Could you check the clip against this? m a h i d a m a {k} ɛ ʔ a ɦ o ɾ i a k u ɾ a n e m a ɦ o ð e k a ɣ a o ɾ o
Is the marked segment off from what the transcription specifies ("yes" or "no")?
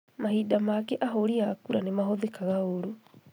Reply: no